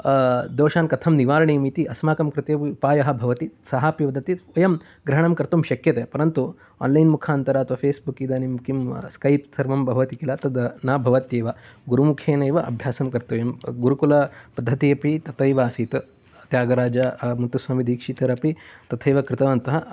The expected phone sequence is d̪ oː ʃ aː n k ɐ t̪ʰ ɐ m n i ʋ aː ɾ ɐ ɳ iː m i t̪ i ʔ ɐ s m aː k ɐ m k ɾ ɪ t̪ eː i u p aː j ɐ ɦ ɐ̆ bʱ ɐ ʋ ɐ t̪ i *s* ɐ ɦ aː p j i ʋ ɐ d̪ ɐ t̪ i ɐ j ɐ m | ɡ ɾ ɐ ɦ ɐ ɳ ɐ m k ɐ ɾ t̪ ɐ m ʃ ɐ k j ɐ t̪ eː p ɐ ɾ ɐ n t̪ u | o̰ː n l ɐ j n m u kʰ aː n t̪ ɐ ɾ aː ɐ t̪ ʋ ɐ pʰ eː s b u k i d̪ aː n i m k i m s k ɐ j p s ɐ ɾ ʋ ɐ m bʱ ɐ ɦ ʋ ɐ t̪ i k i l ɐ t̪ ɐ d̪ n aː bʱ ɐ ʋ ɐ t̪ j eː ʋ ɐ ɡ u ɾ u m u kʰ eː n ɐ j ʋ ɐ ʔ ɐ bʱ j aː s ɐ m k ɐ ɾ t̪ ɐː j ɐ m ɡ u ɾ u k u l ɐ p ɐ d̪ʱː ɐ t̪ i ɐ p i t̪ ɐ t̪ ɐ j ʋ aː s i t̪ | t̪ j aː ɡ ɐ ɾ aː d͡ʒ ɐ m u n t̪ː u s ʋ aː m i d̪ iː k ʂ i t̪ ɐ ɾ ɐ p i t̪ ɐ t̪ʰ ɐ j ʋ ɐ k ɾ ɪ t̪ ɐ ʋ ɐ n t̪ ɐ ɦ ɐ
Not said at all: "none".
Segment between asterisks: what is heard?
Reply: s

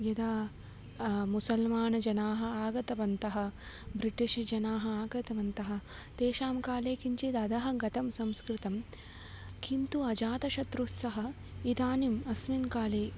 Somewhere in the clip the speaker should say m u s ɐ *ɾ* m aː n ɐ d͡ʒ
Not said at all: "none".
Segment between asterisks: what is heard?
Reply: l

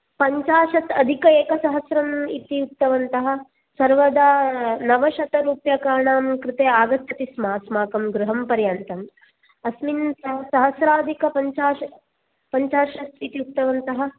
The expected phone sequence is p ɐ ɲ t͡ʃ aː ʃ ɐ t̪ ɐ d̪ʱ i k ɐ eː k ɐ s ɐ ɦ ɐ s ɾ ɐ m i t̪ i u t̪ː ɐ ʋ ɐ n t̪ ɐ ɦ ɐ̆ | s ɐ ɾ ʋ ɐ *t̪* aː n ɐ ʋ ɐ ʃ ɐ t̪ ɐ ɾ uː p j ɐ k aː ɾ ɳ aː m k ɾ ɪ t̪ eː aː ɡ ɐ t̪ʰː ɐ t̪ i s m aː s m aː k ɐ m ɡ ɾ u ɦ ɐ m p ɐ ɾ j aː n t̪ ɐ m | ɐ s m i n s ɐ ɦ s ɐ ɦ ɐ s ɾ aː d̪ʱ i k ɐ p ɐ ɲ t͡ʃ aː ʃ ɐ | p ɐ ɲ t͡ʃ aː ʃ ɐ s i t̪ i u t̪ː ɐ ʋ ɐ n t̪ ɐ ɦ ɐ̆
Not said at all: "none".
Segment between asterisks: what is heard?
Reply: d̪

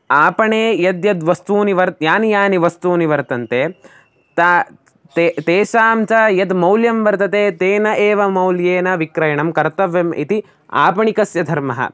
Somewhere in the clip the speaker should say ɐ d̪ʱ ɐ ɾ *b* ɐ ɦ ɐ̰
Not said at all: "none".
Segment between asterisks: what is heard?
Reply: m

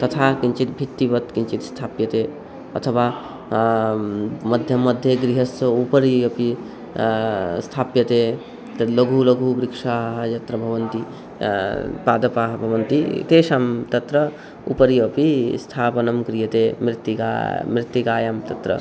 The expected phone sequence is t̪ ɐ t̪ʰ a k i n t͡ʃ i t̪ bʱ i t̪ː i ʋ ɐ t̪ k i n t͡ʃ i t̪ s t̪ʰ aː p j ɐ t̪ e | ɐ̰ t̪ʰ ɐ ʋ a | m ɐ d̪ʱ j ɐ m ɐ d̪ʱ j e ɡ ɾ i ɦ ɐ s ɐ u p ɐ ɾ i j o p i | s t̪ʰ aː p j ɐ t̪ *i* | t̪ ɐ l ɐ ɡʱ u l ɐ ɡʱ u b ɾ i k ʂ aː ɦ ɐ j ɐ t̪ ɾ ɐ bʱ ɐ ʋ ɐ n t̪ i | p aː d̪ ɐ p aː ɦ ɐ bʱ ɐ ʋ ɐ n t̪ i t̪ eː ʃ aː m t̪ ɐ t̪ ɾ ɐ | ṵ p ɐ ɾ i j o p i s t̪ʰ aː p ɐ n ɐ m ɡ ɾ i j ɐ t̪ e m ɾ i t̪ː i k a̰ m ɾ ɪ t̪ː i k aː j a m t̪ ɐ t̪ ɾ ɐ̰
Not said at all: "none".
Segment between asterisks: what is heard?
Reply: e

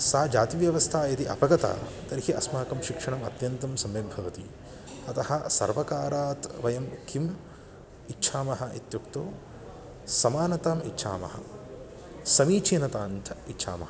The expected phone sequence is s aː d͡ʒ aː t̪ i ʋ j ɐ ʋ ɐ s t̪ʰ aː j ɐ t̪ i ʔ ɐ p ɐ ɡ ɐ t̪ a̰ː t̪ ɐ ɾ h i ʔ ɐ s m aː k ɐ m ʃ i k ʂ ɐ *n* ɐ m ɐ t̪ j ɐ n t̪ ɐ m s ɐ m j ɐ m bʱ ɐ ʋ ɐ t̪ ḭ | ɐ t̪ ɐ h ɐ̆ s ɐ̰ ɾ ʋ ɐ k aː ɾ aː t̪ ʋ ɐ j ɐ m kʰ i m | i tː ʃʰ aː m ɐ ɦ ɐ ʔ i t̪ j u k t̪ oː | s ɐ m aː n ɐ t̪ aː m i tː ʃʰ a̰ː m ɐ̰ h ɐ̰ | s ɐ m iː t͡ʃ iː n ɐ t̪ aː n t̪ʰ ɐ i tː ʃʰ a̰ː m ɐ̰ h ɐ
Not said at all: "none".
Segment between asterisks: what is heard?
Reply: ɳ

